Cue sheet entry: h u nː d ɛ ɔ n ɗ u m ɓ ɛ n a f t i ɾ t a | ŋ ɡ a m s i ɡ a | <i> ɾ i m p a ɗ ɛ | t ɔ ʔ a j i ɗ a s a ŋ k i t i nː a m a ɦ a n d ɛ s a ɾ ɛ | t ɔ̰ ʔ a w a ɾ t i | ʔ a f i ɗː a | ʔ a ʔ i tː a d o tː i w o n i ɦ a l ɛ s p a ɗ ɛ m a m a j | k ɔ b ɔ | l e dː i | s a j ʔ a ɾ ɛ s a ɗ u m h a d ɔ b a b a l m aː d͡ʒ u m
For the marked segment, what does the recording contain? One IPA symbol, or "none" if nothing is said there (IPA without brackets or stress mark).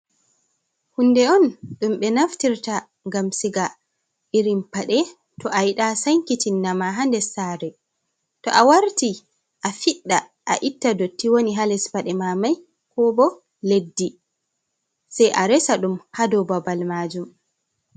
i